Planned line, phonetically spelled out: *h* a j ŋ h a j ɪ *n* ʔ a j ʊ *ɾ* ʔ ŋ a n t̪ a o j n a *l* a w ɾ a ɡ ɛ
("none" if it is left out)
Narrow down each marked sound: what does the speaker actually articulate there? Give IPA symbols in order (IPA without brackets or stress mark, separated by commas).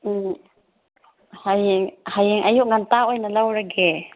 h, ŋ, none, l